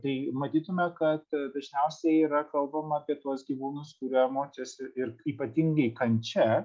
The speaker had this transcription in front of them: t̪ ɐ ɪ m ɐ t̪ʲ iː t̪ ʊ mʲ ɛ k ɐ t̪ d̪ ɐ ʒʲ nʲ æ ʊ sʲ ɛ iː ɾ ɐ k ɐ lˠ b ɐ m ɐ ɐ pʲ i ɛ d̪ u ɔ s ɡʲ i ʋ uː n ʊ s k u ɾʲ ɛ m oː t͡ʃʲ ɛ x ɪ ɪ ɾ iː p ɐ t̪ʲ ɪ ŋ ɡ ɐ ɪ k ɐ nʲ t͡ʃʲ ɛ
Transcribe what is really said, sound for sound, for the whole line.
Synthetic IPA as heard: t̪ ɐ ɪ m ɐ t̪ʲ iː t̪ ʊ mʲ ɛ k ɐ t̪ d̪ ɐ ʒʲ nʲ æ ʊ sʲ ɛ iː ɾ ɐ k ɐ lˠ b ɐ m ɐ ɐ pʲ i ɛ t̪ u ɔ s ɡʲ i ʋ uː n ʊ s k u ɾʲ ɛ m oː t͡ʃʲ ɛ s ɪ ɪ ɾ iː p ɐ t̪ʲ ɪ ŋ ɡ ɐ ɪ k ɐ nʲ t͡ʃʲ ɛ

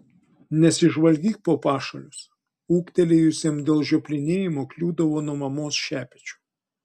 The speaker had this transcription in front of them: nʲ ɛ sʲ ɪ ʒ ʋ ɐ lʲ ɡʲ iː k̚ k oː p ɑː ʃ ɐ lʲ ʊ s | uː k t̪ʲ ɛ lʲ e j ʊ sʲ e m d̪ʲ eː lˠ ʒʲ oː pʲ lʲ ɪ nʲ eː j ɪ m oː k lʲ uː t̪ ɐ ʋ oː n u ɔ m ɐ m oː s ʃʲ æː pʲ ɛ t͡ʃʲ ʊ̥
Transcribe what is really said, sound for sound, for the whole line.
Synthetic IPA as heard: nʲ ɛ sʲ ɪ ʒ ʋ ɐ lʲ ɡʲ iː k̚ p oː p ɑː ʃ ɐ lʲ ʊ s | uː k t̪ʲ ɛ lʲ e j ʊ sʲ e m d̪ʲ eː lˠ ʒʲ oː pʲ lʲ ɪ nʲ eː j ɪ m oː k lʲ uː d̪ ɐ ʋ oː n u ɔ m ɐ m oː s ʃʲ æː pʲ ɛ t͡ʃʲ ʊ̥

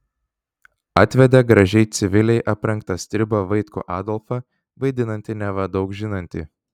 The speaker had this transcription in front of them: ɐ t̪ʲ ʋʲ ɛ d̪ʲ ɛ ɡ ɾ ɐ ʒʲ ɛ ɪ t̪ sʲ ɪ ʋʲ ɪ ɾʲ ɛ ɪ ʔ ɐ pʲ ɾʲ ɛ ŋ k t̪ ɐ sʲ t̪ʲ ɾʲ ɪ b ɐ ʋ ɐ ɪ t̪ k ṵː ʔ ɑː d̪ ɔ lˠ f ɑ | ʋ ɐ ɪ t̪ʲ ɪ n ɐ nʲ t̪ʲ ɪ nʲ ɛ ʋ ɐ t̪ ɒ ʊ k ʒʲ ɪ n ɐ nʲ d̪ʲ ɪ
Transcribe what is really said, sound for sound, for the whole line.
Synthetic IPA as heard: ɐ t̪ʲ ʋʲ ɛ d̪ʲ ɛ ɡ ɾ ɐ ʒʲ ɛ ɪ t̪ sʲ ɪ ʋʲ ɪ lʲ ɛ ɪ ʔ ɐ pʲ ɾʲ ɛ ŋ k t̪ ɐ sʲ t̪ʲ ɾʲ ɪ b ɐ ʋ ɐ ɪ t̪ k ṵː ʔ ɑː d̪ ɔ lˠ f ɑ | ʋ ɐ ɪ d̪ʲ ɪ n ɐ nʲ t̪ʲ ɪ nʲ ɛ ʋ ɐ d̪ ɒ ʊ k ʒʲ ɪ n ɐ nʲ t̪ʲ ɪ

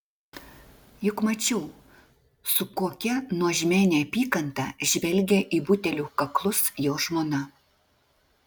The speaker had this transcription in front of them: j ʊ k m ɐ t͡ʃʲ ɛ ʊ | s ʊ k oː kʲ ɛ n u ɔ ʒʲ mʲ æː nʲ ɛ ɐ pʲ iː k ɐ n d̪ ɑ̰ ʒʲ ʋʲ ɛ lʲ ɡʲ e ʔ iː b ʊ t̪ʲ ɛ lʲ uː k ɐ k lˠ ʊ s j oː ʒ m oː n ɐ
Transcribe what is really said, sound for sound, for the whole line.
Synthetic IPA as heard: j ʊ k m ɐ t͡ʃʲ ɛ ʊ | s ʊ k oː kʲ ɛ n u ɔ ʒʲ mʲ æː nʲ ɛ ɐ pʲ iː k ɐ n t̪ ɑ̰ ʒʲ ʋʲ ɛ lʲ ɡʲ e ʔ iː b ʊ t̪ʲ ɛ lʲ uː k ɐ k lˠ ʊ s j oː ʒ m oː n ɐ

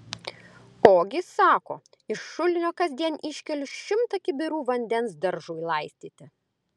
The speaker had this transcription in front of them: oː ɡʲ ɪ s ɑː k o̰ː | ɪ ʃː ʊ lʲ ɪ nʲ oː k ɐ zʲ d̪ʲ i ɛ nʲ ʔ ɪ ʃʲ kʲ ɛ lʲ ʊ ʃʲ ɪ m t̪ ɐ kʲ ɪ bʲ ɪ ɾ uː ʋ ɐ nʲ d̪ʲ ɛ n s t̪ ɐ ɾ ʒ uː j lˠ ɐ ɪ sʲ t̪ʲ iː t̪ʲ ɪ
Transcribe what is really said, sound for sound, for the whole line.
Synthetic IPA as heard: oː ɡʲ ɪ s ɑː k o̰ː | ɪ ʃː ʊ lʲ ɪ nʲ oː k ɐ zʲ d̪ʲ i ɛ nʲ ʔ ɪ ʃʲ kʲ ɛ lʲ ʊ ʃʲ ɪ m t̪ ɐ kʲ ɪ bʲ ɪ ɾ uː ʋ ɐ nʲ d̪ʲ ɛ n s d̪ ɐ ɾ ʒ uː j lˠ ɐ ɪ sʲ t̪ʲ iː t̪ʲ ɪ

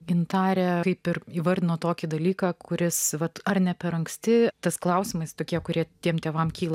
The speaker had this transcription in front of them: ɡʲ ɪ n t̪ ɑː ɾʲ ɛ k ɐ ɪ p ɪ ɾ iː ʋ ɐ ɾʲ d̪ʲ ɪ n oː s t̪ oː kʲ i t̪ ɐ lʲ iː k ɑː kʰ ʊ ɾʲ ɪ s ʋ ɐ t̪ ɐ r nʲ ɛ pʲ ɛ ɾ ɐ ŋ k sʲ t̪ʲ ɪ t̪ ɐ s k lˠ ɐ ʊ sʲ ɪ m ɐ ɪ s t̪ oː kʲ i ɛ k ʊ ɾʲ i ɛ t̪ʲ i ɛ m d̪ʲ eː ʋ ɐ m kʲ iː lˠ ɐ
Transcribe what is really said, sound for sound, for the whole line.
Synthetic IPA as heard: ɡʲ ɪ n t̪ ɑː ɾʲ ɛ k ɐ ɪ p ɪ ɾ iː ʋ ɐ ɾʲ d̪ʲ ɪ n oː t̪ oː kʲ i d̪ ɐ lʲ iː k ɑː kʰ ʊ ɾʲ ɪ s ʋ ɐ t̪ ɐ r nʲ ɛ pʲ ɛ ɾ ɐ ŋ k sʲ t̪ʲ ɪ t̪ ɐ s k lˠ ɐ ʊ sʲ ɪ m ɐ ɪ s t̪ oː kʲ i ɛ k ʊ ɾʲ i ɛ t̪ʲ i ɛ m t̪ʲ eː ʋ ɐ m kʲ iː lˠ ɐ

